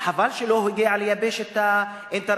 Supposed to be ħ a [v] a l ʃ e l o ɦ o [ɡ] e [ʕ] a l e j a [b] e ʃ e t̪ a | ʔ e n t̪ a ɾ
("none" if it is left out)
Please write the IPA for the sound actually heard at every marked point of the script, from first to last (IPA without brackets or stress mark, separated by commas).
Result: v, ɡ, ʕ, b